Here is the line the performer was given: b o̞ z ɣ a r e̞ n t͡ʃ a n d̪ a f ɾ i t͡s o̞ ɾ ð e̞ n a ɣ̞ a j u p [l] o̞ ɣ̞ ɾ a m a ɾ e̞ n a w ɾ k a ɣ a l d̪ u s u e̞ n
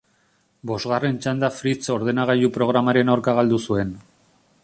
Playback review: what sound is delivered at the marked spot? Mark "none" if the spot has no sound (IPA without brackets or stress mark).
ɾ